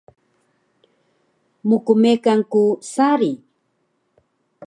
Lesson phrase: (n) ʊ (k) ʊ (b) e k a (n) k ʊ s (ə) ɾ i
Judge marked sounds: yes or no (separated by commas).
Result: no, yes, no, no, no